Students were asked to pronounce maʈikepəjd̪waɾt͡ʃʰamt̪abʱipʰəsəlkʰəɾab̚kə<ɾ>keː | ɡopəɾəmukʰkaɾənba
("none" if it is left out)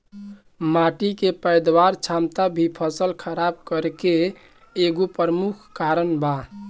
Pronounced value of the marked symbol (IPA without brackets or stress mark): ɾ